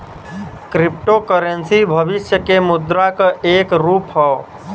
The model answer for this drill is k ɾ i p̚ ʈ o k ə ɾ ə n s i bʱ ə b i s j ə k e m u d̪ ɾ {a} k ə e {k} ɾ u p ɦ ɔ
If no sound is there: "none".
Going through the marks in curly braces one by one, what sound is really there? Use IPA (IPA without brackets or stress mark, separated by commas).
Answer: a, k